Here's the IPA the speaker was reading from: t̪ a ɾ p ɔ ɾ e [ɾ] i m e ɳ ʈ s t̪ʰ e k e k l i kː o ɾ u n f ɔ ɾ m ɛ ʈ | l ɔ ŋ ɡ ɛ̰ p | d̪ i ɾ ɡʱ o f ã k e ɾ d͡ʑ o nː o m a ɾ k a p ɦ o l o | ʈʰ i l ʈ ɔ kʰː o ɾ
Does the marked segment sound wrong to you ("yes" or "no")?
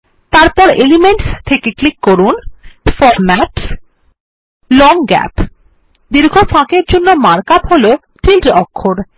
yes